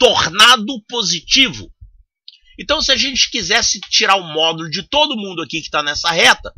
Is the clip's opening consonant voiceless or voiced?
voiceless